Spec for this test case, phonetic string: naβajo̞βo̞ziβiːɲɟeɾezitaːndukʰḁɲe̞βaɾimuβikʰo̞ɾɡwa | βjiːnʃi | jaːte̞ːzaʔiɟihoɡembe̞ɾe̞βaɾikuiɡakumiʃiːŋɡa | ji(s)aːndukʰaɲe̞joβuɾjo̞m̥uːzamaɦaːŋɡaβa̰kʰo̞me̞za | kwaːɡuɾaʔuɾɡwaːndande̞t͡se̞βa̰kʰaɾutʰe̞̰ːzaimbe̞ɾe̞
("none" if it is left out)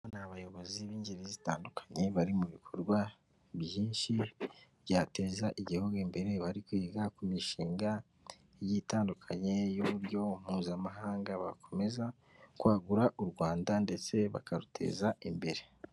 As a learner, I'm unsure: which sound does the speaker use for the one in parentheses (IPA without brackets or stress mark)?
t